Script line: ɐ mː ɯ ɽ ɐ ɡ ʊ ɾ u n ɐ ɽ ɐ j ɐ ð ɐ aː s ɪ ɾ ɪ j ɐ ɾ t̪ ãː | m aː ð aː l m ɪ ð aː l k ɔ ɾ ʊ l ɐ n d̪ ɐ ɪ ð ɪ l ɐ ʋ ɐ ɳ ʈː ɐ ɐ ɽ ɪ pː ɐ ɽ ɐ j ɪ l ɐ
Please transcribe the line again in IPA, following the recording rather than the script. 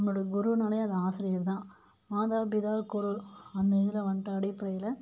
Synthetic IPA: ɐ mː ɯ ɽ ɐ ɡ ʊ ɾ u n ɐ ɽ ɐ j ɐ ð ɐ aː s ɪ ɾ ɪ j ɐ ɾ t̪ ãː | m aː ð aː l b ɪ ð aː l k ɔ ɾ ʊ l ɐ n d̪ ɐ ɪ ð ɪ l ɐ ʋ ɐ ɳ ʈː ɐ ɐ ɽ ɪ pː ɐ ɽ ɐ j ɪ l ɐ